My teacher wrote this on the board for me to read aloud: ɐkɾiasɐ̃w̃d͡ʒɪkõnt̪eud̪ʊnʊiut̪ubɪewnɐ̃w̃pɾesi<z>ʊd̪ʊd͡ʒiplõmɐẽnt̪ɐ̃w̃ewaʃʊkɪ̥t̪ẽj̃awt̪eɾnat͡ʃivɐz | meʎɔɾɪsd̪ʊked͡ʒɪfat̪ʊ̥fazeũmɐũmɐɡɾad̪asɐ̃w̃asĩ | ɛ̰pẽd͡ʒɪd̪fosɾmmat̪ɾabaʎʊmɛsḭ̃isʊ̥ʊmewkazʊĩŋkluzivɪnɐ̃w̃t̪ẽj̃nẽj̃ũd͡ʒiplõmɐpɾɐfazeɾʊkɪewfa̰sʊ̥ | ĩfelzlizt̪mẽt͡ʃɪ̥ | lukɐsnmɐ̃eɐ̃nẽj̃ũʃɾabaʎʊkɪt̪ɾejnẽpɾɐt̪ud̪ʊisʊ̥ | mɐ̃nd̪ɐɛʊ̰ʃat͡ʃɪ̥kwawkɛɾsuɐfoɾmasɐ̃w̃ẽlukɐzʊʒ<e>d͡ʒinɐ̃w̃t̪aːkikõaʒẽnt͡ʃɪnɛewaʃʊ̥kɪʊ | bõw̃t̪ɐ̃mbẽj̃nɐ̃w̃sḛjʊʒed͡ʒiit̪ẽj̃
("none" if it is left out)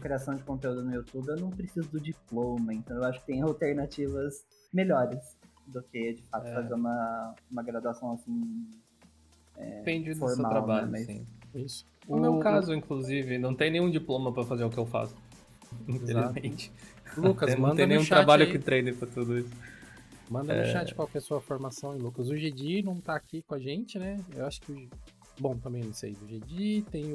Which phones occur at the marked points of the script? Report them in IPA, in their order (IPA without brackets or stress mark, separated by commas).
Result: z, e